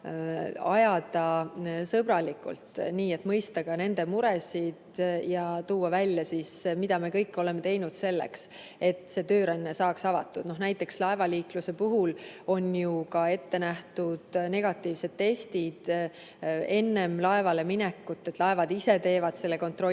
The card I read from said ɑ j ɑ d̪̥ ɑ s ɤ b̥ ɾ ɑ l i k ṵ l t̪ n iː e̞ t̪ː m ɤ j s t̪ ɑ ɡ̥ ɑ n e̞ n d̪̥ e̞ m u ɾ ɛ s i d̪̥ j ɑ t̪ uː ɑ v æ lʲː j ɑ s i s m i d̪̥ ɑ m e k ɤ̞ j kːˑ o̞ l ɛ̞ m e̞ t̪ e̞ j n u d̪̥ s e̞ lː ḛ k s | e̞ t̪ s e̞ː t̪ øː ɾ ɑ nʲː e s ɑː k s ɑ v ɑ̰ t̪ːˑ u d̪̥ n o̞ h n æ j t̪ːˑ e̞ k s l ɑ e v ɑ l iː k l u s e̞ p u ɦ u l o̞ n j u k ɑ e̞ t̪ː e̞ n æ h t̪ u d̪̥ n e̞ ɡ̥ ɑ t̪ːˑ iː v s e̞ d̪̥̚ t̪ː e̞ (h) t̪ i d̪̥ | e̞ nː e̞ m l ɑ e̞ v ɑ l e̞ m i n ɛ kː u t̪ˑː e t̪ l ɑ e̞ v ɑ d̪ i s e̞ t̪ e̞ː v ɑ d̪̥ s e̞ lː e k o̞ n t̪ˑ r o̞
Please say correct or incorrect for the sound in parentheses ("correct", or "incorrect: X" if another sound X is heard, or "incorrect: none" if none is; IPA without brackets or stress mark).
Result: incorrect: s